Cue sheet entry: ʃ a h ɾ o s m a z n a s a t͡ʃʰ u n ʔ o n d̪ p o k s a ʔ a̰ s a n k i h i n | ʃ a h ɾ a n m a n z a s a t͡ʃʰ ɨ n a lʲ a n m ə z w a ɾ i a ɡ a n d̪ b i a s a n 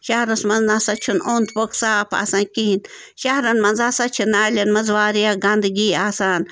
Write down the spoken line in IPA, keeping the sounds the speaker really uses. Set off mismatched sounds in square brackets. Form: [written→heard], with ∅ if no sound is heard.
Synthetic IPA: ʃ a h ɾ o s m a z n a s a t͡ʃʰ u n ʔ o n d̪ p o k s a [ʔ→p] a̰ s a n k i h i n | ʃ a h ɾ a n m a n z a s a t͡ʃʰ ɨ n a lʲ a n m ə z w a ɾ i a ɡ a n d̪ [b→ɡ] i a s a n